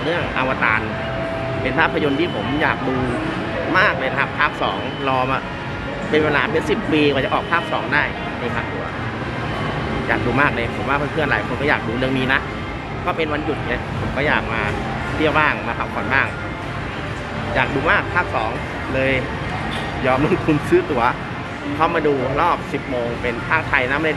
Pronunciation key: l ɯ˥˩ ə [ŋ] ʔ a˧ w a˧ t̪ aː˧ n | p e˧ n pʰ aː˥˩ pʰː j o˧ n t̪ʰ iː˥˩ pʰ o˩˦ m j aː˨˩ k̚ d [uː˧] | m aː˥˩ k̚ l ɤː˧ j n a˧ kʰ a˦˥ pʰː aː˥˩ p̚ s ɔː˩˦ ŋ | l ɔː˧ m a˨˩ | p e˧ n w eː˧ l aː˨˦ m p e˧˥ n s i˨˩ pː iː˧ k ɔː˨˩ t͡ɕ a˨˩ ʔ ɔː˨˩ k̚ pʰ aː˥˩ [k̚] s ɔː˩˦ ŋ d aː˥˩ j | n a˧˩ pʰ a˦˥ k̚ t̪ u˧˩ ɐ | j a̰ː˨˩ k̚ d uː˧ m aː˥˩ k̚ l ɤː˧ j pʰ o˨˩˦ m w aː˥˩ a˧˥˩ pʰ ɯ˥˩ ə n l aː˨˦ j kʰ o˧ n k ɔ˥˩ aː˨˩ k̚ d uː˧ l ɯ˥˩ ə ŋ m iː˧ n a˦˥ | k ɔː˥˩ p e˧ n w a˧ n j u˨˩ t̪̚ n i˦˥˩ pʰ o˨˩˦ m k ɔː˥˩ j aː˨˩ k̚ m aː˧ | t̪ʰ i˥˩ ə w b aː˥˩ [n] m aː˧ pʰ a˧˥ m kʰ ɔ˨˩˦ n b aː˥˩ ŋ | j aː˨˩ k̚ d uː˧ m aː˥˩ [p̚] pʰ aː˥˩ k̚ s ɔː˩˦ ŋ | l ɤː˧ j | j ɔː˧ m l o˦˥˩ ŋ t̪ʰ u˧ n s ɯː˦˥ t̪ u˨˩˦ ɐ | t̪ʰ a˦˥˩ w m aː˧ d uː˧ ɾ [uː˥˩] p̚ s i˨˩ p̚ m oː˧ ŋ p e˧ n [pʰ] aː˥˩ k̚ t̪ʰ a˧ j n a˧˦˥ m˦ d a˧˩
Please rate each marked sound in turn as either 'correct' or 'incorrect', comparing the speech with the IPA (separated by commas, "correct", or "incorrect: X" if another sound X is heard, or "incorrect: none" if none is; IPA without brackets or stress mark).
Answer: correct, correct, incorrect: p̚, incorrect: ŋ, incorrect: k̚, incorrect: ɔː˥˩, correct